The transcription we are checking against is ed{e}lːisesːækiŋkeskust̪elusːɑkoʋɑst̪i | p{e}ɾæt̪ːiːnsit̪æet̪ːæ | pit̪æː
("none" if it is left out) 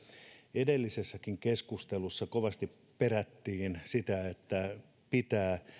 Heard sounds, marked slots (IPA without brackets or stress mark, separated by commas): e, e